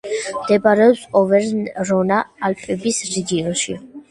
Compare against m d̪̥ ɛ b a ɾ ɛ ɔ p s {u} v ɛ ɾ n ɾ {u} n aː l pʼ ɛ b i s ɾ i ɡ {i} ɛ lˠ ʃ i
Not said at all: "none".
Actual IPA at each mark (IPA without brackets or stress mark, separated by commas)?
ɔ, ɔ, i